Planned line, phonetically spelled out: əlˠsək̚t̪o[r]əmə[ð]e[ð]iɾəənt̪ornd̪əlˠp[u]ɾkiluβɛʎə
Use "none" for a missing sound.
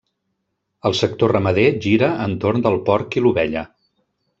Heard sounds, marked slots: r, ð, ʒ, ɔ

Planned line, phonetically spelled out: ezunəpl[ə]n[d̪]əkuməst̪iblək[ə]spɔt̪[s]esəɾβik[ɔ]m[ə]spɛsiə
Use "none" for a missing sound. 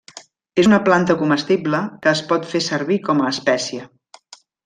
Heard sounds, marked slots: a, t̪, əː, f, ɔ, əː

